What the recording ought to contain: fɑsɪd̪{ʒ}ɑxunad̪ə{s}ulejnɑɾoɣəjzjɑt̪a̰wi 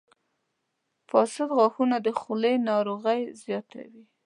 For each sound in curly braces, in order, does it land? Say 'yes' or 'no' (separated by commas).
no, no